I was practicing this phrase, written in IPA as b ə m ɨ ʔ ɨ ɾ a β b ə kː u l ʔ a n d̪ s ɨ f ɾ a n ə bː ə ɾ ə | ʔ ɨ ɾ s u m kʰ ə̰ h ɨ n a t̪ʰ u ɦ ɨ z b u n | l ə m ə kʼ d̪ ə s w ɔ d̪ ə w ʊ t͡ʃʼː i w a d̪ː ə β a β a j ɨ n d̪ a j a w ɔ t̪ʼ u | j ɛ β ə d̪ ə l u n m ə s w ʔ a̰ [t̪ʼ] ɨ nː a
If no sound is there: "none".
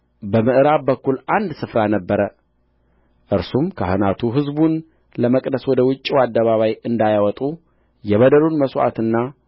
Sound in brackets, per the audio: t̪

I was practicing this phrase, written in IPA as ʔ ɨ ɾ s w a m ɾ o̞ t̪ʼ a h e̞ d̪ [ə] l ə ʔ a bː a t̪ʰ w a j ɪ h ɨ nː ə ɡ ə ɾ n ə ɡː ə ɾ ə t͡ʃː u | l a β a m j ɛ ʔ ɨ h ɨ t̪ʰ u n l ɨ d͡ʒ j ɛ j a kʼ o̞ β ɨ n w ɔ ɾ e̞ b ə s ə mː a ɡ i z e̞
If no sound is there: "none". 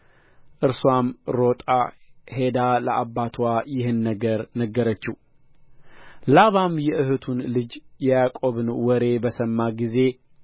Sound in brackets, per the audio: a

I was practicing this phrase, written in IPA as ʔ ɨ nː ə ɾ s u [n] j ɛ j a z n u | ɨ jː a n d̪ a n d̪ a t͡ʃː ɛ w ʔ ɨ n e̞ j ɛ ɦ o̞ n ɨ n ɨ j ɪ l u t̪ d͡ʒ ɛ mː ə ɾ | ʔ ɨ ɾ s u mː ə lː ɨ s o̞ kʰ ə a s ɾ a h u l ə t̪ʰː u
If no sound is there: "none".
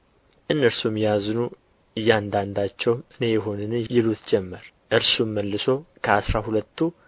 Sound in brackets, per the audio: m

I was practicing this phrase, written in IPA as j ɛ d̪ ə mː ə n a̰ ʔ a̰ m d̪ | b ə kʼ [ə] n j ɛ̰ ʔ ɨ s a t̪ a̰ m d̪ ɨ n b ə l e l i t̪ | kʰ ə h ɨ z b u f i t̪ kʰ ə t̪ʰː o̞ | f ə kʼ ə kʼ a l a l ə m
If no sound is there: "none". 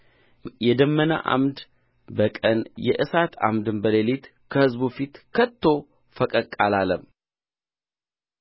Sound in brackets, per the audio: ə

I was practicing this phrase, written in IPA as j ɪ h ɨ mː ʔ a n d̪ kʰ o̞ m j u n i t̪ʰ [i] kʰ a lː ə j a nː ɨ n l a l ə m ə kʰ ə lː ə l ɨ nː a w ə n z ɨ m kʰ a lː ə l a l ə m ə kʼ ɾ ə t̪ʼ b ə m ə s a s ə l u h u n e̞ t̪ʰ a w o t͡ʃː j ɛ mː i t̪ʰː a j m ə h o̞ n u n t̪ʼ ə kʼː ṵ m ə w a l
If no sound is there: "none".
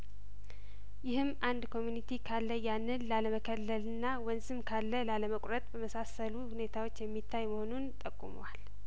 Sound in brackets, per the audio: i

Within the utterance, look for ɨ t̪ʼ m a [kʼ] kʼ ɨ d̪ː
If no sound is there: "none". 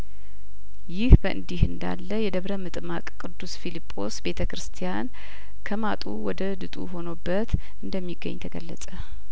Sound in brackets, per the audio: kʼ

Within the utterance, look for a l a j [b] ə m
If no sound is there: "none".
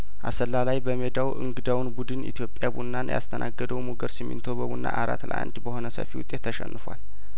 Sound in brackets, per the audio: b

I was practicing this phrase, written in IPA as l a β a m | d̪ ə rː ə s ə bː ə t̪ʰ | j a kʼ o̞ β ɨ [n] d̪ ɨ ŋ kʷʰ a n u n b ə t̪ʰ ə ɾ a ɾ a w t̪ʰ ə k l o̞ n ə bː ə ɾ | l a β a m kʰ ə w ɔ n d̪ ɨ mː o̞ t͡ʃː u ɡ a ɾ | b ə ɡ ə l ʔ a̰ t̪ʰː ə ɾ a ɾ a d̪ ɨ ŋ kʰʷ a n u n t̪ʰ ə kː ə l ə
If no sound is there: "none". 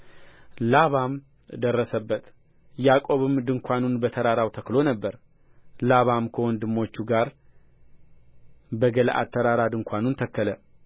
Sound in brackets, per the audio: m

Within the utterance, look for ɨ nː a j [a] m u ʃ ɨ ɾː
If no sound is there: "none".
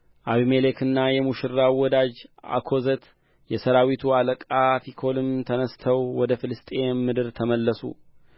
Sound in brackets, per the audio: ɛ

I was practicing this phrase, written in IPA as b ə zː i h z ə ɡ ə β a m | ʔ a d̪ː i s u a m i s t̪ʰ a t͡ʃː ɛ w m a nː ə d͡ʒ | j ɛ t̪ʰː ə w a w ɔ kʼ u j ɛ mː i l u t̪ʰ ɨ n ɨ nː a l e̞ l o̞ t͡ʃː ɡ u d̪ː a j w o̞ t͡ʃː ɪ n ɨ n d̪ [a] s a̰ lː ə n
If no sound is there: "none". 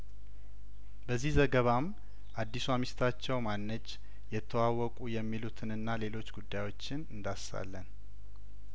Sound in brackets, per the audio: a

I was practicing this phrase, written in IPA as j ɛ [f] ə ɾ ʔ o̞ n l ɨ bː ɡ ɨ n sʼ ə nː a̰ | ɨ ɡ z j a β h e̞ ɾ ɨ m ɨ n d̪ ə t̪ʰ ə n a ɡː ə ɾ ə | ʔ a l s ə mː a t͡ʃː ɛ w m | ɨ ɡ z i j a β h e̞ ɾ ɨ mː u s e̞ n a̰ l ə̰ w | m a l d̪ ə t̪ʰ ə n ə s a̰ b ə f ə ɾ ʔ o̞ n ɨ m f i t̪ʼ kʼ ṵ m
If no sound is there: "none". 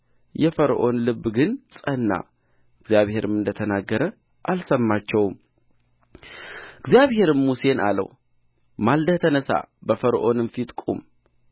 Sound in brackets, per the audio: f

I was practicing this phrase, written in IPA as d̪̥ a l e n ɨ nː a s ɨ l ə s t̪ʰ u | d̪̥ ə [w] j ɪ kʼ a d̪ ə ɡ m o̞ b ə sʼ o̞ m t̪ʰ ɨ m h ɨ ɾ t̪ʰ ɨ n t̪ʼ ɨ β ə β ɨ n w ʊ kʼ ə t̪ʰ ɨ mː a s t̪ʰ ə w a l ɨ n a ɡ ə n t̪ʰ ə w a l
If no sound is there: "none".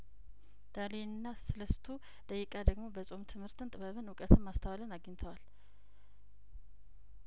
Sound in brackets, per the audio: none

